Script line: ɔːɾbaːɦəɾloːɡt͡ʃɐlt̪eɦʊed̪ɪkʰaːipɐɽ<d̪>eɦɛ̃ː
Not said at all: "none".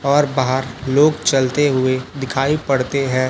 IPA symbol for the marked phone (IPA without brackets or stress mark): t̪